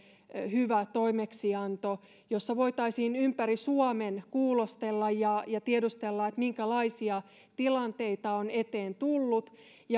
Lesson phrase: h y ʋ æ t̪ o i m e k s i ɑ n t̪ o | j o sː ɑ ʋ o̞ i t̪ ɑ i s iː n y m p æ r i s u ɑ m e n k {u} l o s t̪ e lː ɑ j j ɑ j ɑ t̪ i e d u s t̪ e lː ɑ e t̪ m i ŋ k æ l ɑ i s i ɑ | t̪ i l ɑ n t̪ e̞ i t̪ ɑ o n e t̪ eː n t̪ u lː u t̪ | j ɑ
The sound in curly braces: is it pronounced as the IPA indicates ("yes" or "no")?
no